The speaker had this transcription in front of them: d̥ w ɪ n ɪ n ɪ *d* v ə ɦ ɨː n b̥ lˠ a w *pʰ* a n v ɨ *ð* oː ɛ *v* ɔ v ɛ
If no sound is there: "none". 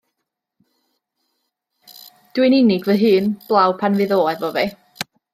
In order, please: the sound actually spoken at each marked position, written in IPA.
ɡ, pʰ, ð, v

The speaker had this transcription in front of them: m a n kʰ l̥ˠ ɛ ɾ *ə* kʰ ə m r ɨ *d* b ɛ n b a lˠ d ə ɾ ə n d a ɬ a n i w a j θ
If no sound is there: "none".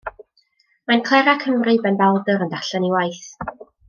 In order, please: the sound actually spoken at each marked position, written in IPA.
a, none

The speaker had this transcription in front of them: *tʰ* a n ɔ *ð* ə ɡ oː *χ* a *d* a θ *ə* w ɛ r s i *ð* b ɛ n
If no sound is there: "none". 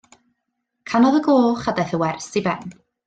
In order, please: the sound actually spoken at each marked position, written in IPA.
kʰ, ð, χ, d, ə, none

